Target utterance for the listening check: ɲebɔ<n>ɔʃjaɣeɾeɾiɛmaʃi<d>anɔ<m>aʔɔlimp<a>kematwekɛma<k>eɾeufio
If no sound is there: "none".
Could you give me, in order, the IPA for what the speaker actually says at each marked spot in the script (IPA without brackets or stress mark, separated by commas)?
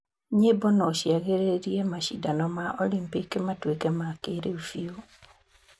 n, d, m, i, k